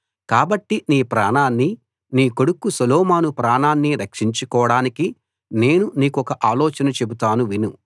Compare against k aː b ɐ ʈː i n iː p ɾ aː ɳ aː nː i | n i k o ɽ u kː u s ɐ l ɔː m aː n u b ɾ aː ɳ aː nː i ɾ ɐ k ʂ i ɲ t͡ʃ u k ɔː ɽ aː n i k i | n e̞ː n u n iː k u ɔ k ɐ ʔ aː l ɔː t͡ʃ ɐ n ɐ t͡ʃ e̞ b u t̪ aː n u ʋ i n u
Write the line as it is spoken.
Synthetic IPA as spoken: k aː b ɐ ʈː i n iː p ɾ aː ɳ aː nː i | n iː k o ɽ u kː u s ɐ l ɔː m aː n u p ɾ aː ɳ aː nː i ɾ ɐ k ʂ i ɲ t͡ʃ u k ɔː ɽ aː n i k i | n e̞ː n u n iː k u ɔ k ɐ ʔ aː l ɔː t͡ʃ ɐ n ɐ t͡ʃ e̞ b u t̪ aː n u ʋ i n u

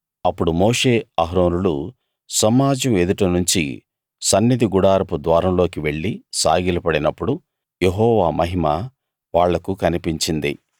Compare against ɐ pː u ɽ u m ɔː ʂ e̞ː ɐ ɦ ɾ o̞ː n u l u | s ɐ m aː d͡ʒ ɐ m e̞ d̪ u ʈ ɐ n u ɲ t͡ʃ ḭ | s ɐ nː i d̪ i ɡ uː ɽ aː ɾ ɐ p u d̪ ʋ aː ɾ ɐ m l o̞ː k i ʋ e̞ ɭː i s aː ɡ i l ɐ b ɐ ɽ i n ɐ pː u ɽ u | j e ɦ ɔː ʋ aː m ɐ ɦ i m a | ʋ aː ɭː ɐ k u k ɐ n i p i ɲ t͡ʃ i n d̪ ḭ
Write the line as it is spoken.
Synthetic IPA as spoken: ɐ pː u ɽ u m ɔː ʂ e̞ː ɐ ɦ ɾ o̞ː n u l u | s ɐ m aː d͡ʒ ɐ m e̞ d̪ u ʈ ɐ n u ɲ t͡ʃ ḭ | s ɐ nː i d̪ i ɡ u ɽ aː ɾ ɐ p u d̪ ʋ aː ɾ ɐ m l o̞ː k i ʋ e̞ ɭː i s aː ɡ i l ɐ p ɐ ɽ i n ɐ pː u ɽ u | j e ɦ ɔː ʋ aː m ɐ ɦ i m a | ʋ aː ɭː ɐ k u k ɐ n i p i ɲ t͡ʃ i n d̪ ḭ

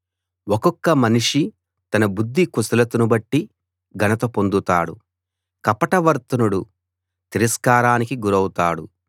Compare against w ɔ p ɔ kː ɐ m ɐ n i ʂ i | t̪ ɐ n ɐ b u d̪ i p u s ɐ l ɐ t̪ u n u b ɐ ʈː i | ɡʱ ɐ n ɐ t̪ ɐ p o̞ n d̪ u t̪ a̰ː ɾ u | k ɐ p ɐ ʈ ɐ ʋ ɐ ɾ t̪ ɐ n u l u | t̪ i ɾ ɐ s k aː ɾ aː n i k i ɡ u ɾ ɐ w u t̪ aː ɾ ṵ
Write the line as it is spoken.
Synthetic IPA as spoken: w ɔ k ɔ kː ɐ m ɐ n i ʂ i | t̪ ɐ n ɐ b u d̪ː i k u s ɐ l ɐ t̪ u n u b ɐ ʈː i | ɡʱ ɐ n ɐ t̪ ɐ p o̞ n d̪ u t̪ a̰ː ɽ u | k ɐ p ɐ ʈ ɐ ʋ ɐ ɾ t̪ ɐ n u ɽ u | t̪ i ɾ ɐ s k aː ɾ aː n i k i ɡ u ɾ ɐ w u t̪ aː ɽ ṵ

